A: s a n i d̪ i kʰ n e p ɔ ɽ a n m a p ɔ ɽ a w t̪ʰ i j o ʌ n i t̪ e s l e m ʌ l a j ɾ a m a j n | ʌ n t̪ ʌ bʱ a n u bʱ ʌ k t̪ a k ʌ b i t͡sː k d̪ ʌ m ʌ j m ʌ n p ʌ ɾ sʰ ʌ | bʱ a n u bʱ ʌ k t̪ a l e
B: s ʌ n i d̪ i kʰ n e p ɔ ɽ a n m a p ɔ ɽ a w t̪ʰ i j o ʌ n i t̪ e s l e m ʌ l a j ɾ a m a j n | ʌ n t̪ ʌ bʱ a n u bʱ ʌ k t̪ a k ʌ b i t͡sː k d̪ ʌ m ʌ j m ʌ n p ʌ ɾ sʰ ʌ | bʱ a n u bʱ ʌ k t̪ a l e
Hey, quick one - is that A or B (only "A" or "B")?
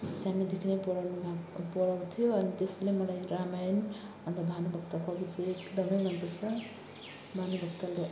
A